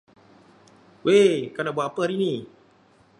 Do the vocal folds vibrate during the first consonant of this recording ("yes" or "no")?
yes